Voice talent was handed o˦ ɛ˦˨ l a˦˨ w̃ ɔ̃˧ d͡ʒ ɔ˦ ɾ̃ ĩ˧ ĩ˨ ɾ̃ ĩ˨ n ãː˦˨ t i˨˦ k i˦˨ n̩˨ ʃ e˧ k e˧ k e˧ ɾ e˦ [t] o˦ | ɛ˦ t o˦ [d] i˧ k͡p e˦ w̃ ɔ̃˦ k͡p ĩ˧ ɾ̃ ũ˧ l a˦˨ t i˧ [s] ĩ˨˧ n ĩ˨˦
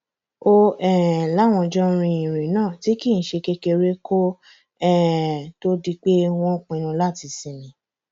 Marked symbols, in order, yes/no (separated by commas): no, yes, yes